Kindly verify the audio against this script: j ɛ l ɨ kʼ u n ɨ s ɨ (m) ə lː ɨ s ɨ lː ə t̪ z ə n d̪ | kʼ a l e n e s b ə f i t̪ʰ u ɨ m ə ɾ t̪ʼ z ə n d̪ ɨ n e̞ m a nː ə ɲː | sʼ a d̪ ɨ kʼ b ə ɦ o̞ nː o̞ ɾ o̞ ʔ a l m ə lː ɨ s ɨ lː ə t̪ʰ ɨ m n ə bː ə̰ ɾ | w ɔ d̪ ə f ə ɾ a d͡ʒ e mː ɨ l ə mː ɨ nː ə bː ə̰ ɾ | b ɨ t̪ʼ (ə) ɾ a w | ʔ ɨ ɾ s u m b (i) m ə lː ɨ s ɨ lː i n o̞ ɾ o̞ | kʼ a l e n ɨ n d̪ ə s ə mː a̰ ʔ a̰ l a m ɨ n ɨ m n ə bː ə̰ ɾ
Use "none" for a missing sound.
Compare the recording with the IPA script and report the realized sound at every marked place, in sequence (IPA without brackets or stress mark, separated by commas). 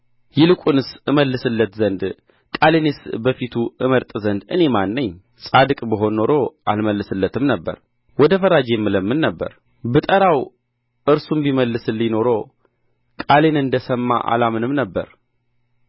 m, ə, i